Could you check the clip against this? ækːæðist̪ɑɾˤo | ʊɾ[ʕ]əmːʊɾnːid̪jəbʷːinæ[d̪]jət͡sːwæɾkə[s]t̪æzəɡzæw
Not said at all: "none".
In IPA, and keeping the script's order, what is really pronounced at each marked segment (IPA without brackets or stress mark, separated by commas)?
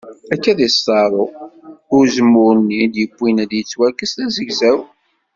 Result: z, d̪, s